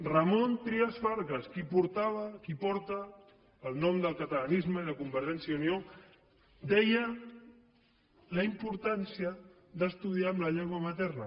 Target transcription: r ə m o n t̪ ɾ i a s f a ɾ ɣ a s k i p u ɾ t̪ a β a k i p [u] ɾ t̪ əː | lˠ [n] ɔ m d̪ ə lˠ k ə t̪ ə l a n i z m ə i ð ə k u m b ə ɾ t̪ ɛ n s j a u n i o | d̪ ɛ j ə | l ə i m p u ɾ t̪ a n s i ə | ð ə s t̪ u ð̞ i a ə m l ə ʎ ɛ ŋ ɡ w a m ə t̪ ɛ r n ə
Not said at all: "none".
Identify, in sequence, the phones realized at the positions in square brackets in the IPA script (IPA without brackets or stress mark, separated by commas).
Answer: ɔ, n